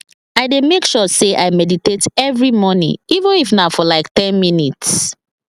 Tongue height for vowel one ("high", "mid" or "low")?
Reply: low